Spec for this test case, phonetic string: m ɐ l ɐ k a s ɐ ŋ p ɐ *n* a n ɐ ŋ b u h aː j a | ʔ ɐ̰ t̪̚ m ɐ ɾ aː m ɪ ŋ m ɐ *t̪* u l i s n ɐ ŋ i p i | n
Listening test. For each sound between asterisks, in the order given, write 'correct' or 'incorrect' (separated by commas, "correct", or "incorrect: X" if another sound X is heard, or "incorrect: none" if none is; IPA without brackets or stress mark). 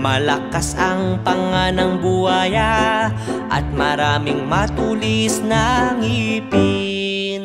incorrect: ŋ, correct